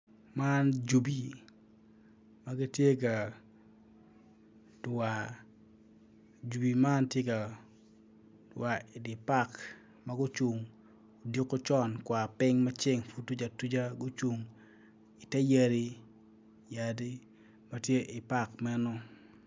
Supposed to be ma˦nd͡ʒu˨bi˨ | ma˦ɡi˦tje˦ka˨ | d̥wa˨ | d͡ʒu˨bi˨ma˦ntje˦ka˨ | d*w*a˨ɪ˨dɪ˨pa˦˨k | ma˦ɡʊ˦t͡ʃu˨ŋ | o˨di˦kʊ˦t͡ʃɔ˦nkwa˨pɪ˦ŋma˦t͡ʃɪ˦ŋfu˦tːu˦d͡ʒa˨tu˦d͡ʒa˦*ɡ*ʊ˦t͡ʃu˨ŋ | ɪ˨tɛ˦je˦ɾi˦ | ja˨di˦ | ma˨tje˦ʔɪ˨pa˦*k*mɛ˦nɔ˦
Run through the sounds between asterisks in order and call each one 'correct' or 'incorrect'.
correct, correct, correct

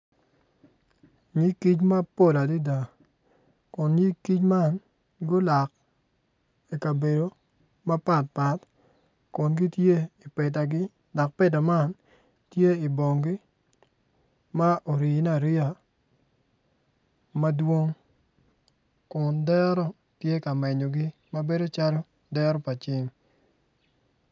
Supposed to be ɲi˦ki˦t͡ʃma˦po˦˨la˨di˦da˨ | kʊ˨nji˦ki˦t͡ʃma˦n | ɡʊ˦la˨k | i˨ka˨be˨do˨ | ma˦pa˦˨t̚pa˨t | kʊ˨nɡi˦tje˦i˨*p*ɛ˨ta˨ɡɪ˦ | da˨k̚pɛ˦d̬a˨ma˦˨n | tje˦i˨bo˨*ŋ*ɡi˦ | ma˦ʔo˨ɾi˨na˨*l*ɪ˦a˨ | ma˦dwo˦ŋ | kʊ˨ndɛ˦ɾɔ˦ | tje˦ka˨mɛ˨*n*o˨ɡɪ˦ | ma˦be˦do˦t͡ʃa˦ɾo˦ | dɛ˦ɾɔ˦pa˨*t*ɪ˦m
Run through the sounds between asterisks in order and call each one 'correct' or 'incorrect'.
correct, correct, incorrect: ɾ, incorrect: ɲ, incorrect: t͡ʃ

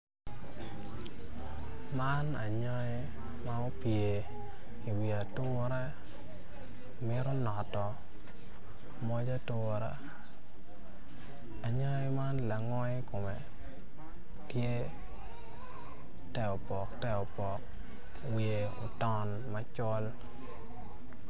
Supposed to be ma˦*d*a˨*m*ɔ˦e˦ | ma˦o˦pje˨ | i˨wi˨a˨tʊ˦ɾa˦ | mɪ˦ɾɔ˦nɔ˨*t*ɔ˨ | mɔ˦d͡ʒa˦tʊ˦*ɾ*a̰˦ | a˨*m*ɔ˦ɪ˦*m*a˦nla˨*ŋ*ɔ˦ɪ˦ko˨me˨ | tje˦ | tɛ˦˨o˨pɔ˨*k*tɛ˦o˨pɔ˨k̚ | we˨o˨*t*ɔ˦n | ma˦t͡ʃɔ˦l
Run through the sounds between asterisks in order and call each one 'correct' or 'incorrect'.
incorrect: n, incorrect: ɲ, correct, correct, incorrect: ɲ, correct, correct, correct, correct

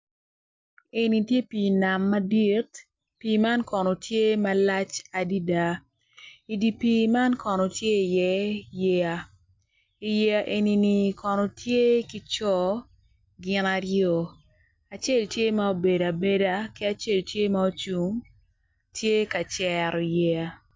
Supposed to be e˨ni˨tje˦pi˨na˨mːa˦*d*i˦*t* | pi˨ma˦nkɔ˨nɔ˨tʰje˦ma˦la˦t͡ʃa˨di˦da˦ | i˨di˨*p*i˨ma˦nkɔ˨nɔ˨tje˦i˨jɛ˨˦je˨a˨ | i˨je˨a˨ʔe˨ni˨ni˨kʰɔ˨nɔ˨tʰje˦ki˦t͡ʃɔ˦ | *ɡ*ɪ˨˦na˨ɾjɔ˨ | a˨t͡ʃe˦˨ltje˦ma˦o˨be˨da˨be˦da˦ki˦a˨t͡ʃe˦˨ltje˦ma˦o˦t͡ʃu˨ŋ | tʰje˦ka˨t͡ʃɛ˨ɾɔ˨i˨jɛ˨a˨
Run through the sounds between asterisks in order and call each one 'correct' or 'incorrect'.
correct, correct, correct, correct

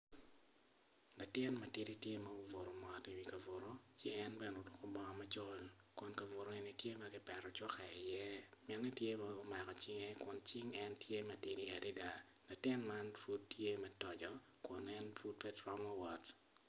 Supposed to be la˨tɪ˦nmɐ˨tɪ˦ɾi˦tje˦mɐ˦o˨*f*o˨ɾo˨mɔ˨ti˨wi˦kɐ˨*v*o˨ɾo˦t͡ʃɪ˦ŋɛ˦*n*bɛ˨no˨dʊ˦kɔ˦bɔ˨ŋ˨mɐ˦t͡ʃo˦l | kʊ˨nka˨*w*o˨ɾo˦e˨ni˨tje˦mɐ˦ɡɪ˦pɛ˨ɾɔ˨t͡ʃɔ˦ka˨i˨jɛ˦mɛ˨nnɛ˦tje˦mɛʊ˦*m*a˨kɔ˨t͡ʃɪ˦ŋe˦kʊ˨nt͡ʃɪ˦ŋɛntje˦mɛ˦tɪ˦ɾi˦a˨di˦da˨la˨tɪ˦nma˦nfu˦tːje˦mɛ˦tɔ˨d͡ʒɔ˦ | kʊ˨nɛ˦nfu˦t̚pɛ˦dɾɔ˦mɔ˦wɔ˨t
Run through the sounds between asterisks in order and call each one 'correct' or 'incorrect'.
incorrect: v, correct, correct, incorrect: v, correct

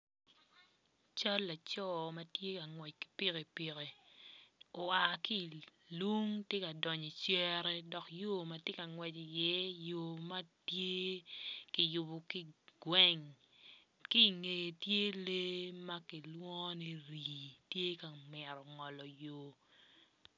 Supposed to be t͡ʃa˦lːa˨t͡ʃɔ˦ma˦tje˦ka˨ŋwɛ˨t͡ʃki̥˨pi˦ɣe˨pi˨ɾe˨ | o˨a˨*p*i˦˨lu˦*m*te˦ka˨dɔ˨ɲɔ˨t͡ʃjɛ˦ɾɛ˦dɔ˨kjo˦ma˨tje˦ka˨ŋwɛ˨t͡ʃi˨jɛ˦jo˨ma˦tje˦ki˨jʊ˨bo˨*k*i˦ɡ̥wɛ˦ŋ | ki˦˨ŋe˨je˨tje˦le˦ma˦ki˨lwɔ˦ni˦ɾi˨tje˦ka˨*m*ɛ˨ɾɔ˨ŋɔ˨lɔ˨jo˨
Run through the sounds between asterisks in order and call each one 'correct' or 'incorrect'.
incorrect: k, incorrect: ŋ, correct, correct

